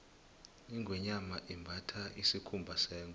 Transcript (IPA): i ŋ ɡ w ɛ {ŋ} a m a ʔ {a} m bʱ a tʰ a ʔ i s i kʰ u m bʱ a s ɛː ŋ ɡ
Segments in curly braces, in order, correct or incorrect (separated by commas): incorrect, incorrect